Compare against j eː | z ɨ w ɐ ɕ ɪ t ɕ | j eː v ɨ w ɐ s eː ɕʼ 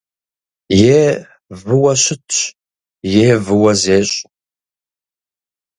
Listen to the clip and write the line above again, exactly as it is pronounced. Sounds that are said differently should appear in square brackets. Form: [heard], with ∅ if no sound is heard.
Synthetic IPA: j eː | [v] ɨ w ɐ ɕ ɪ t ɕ | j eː v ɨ w ɐ [z] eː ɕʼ